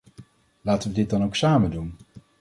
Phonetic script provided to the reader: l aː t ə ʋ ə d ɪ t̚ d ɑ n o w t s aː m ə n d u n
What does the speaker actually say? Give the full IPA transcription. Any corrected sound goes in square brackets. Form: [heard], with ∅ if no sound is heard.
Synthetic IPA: l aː t ə ʋ ə d ɪ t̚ d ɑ n o w [k] s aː m ə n d u n